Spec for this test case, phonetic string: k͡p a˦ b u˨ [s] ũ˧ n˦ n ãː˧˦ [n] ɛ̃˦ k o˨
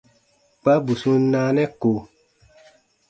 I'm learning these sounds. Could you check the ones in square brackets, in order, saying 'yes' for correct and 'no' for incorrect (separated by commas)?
yes, yes